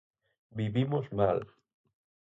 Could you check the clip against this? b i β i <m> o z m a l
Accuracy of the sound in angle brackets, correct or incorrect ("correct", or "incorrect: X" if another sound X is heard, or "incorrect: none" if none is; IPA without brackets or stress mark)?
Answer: correct